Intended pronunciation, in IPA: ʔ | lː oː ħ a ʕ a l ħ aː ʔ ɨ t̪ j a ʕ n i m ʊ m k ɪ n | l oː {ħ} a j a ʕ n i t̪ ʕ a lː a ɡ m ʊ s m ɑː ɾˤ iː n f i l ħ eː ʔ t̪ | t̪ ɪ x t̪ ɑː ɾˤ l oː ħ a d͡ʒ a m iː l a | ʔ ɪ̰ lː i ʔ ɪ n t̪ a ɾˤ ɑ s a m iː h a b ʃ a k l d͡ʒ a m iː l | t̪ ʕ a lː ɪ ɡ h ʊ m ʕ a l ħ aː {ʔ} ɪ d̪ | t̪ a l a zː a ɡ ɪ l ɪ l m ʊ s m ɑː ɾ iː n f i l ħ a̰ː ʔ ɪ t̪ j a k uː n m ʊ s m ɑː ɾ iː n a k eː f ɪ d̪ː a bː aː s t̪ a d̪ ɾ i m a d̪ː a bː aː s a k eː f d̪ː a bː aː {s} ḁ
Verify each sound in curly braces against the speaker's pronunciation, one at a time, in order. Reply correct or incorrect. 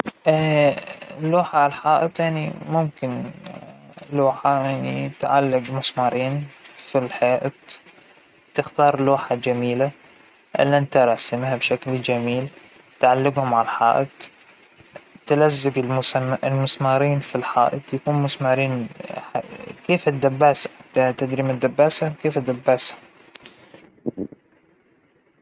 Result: correct, correct, correct

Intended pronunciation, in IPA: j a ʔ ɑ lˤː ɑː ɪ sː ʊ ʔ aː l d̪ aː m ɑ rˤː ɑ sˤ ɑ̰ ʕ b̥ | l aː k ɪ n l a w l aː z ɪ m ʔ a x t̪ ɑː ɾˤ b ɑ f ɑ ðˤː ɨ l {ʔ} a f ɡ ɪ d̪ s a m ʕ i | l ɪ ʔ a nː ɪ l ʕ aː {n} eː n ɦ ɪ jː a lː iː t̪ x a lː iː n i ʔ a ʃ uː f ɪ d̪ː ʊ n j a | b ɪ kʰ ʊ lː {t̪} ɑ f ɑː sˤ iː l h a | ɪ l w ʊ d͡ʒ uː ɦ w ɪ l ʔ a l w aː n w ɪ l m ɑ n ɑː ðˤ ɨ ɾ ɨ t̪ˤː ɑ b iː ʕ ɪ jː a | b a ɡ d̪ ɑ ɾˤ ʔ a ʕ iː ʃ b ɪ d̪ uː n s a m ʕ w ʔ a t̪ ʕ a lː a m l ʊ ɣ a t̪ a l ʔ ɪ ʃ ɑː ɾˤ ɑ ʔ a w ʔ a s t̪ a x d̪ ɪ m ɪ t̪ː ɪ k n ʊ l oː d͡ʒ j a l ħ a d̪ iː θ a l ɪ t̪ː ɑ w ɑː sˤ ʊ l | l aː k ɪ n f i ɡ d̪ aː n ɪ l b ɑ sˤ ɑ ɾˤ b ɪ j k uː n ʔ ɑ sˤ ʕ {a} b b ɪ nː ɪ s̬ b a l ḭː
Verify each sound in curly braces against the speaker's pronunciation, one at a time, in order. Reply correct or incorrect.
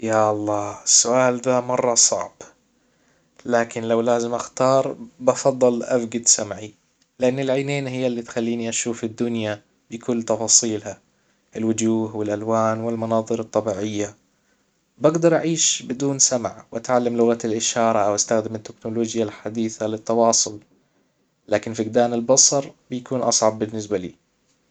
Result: correct, correct, correct, incorrect: ɑ

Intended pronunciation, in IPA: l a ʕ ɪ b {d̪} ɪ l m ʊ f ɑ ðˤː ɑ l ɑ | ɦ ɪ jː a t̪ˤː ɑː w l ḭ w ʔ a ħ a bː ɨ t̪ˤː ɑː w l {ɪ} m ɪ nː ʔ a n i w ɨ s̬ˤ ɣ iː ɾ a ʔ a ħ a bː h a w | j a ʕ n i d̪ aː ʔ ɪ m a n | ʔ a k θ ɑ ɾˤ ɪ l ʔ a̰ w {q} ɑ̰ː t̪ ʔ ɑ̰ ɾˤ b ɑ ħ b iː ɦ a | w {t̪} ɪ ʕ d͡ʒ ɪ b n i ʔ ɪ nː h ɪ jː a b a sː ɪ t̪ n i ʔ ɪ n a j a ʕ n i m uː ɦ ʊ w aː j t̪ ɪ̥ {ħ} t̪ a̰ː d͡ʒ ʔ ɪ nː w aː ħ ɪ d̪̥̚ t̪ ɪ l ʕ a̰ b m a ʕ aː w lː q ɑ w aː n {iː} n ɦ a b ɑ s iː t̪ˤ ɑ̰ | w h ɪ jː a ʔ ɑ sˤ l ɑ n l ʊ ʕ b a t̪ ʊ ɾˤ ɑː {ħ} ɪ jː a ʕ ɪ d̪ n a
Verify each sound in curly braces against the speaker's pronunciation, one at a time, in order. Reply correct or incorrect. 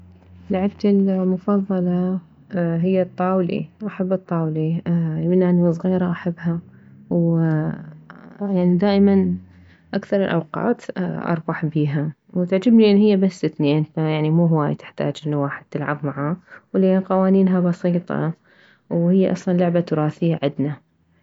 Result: incorrect: t̪, incorrect: i, correct, correct, correct, correct, incorrect: θ

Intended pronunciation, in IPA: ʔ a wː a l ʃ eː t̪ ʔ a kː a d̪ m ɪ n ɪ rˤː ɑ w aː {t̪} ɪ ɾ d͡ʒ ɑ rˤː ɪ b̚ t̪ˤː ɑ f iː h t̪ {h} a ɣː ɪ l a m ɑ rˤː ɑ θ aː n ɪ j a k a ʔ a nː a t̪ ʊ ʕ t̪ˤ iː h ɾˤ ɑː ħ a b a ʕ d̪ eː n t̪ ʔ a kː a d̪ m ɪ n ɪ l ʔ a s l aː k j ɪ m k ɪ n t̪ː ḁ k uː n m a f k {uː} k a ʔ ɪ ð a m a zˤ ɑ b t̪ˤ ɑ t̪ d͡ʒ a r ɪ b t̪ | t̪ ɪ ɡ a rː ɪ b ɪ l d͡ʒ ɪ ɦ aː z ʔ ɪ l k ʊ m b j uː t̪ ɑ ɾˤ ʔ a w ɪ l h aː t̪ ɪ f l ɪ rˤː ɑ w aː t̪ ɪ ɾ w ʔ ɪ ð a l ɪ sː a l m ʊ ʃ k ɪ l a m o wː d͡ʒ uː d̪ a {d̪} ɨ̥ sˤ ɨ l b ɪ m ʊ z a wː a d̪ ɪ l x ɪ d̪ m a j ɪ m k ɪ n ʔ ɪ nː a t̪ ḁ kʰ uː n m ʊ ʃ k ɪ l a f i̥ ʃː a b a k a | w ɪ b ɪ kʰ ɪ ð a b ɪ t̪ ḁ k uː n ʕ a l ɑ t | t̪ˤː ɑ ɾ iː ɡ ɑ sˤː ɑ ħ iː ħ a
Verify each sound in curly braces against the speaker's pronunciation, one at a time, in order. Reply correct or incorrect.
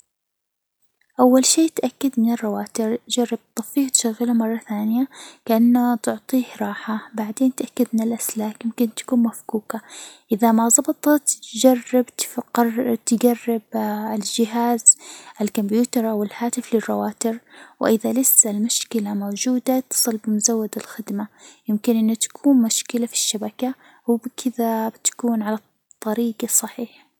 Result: correct, incorrect: ʃ, correct, incorrect: t̪

